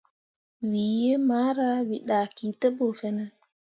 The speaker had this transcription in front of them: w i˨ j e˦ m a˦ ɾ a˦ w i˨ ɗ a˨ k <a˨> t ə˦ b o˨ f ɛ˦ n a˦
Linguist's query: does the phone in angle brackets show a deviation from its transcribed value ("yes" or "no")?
yes